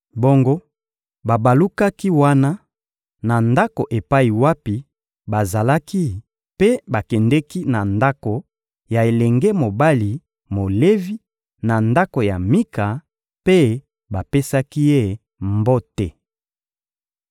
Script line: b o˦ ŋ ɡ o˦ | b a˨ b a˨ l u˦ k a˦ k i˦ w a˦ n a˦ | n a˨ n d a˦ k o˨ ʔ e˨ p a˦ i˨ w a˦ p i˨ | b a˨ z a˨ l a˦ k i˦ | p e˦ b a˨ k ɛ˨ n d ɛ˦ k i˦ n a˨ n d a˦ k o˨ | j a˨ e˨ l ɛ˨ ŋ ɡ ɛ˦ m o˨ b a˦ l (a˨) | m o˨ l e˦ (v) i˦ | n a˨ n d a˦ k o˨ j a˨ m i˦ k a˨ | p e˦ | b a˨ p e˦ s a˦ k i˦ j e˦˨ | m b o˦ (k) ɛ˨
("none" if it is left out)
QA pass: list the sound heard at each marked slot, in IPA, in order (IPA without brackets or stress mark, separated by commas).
i˨, v, t